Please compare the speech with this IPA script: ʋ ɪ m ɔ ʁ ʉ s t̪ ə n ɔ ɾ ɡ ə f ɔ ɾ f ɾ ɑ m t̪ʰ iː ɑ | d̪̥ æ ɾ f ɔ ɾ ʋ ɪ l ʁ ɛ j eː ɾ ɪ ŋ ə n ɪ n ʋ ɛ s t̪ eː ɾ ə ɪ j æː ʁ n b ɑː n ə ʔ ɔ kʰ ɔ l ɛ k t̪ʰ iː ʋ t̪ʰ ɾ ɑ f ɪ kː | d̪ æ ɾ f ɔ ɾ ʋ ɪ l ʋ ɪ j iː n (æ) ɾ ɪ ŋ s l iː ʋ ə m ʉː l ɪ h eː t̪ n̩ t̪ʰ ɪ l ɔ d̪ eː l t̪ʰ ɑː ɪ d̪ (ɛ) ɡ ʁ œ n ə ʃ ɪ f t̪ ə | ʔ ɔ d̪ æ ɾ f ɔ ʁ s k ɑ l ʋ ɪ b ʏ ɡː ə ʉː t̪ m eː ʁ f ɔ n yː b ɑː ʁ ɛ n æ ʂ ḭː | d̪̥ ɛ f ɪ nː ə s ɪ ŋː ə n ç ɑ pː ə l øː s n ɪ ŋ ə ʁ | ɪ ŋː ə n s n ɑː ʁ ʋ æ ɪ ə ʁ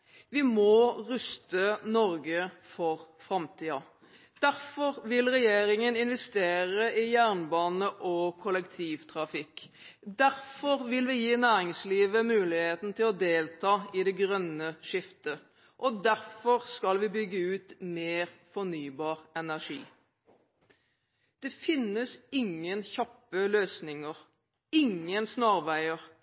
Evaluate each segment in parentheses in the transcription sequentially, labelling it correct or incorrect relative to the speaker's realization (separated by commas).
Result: incorrect, correct